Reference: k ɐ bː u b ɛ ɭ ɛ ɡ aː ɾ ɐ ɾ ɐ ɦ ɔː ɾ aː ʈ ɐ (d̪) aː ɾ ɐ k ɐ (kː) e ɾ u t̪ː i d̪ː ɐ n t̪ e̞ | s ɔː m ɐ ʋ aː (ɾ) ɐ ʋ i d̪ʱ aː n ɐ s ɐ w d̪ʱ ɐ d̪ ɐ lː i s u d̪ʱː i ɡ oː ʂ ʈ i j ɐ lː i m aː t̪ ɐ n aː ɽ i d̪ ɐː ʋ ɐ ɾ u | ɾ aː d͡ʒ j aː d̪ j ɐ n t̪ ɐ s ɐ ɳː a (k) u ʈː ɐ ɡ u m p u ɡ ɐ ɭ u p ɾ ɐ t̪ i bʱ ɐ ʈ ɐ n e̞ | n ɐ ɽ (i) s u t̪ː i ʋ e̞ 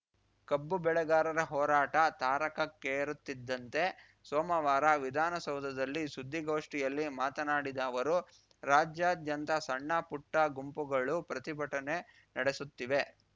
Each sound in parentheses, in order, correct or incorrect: incorrect, correct, correct, incorrect, incorrect

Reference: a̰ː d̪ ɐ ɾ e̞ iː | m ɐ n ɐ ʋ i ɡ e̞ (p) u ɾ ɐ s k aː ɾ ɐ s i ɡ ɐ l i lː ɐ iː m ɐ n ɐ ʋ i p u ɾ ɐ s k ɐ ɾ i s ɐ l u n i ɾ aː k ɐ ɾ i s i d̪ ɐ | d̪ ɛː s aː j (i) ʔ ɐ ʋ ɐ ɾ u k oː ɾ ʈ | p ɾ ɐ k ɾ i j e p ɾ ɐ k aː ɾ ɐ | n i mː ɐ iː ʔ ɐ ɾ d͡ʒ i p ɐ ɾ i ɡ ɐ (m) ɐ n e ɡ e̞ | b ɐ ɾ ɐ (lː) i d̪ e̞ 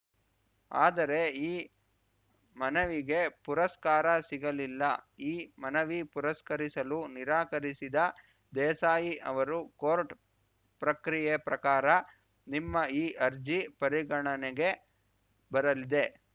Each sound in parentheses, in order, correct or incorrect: correct, correct, incorrect, incorrect

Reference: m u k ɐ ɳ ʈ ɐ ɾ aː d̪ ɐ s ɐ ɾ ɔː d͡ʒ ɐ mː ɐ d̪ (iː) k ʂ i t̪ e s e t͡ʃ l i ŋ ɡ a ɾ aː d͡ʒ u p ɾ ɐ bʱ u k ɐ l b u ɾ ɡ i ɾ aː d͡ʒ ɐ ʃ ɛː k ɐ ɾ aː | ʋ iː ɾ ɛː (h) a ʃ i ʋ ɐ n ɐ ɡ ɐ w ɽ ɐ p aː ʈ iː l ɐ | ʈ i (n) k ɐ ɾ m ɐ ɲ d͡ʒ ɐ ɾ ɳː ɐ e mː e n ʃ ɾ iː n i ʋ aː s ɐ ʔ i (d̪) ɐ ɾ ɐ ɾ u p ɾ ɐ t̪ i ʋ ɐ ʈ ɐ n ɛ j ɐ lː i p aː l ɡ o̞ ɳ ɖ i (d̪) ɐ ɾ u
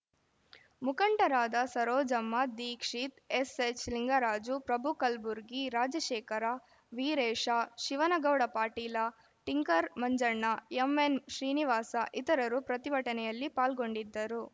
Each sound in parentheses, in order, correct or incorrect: correct, incorrect, incorrect, incorrect, incorrect

